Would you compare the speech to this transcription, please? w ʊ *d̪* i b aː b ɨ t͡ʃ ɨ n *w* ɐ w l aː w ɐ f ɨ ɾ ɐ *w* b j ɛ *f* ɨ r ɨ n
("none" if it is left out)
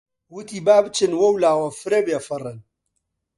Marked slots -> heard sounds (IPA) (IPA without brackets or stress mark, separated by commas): t̪, w, none, f